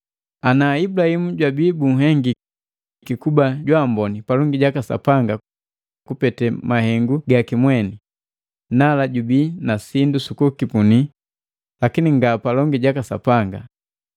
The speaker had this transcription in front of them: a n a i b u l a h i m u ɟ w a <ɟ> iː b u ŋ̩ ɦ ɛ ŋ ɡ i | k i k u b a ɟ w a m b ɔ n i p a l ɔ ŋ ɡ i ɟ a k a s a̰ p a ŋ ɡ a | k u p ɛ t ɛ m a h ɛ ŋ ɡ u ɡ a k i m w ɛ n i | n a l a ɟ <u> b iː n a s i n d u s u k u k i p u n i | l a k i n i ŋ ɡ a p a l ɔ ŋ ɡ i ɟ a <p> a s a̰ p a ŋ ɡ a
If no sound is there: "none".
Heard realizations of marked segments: b, u, k

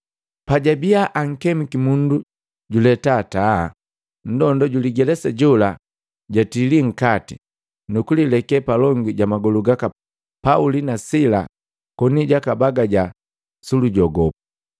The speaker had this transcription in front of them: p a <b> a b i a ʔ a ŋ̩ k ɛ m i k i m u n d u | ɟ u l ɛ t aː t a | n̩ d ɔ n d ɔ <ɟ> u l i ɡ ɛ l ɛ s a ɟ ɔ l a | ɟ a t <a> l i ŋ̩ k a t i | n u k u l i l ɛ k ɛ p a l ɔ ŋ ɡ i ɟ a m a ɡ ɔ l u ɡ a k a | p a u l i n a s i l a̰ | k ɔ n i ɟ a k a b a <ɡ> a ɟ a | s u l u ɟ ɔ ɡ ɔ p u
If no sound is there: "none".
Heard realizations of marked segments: ɟ, ɟ, i, ɡ

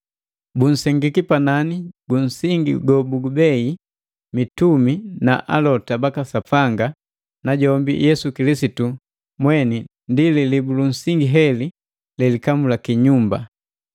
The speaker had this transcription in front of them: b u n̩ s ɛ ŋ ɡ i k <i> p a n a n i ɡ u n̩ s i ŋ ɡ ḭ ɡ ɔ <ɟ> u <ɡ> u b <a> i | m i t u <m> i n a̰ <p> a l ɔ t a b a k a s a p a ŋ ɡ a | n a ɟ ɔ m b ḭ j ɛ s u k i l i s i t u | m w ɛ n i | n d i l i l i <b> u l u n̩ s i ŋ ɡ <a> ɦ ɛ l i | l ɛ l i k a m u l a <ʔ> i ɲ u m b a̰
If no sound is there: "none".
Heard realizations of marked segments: i, b, ɡ, ɛ, m, ʔ, b, i, k

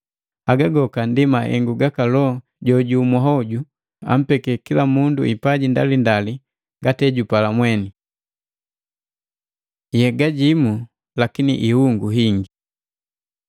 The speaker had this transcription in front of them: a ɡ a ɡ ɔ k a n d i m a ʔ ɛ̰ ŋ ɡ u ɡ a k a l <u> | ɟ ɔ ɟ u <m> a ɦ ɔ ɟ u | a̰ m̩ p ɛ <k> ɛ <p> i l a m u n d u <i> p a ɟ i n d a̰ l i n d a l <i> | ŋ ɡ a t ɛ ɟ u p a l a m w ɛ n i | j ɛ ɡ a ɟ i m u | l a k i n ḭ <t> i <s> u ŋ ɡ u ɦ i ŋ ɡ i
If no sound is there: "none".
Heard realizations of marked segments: ɔ, m, k, k, i, i, ʔ, h

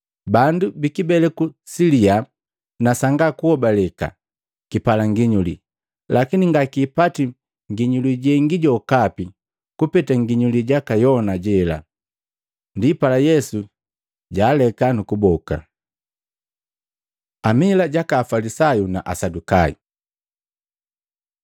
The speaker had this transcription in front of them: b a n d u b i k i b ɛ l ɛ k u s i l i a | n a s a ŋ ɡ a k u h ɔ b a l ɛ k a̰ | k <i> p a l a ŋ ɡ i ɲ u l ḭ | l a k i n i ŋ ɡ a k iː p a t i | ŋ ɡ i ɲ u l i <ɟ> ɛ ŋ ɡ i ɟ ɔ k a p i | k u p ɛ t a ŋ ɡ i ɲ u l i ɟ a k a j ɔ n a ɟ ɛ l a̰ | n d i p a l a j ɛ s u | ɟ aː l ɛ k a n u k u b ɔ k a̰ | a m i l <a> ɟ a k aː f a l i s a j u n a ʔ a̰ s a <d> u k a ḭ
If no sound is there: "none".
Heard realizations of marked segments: i, ɟ, a, d

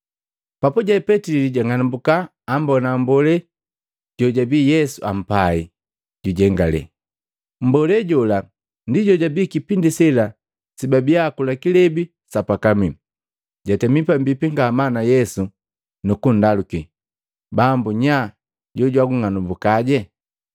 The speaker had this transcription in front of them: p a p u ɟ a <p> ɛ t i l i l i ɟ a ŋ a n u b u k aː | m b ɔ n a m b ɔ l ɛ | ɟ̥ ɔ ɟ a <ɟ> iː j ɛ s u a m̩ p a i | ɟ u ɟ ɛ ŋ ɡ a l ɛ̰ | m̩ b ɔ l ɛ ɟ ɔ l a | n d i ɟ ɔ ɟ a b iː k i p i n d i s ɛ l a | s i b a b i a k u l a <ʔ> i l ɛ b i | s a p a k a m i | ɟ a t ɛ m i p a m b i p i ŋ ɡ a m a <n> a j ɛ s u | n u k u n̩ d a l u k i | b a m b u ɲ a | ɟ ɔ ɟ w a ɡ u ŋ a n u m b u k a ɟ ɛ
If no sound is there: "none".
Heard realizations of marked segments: p, b, k, n

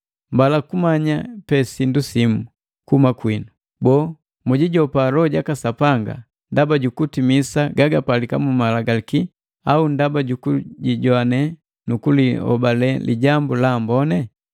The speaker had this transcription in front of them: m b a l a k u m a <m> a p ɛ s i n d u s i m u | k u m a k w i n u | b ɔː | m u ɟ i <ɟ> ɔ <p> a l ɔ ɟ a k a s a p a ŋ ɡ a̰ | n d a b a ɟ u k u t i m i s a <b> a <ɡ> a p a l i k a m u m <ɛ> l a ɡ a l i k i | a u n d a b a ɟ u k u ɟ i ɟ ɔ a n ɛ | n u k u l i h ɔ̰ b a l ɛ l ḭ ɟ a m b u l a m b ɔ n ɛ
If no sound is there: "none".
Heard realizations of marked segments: ɲ, ɟ, p, ɡ, ɡ, a

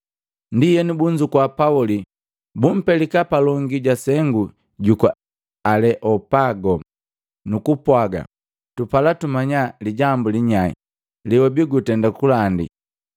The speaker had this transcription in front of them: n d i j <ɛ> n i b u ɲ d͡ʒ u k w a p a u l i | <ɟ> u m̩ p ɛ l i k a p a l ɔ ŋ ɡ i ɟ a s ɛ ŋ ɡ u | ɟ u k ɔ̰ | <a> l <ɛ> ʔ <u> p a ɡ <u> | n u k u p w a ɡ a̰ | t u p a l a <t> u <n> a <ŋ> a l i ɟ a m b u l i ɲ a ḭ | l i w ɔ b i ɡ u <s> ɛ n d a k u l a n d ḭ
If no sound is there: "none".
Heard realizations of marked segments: ɛ, b, a, ɛ, ɔ, ɔ, t, m, ɲ, t

